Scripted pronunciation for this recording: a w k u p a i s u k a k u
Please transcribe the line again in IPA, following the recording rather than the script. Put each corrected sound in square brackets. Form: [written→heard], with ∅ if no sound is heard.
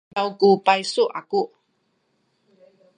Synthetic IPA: a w k u p a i s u [k→ʔ] a k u